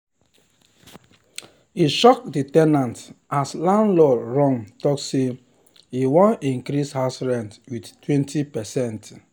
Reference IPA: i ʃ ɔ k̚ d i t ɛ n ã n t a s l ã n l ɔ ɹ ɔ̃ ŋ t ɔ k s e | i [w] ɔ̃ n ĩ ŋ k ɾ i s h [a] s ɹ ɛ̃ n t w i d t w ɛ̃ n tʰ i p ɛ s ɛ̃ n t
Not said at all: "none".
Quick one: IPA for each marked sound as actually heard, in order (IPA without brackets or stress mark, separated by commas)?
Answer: w, a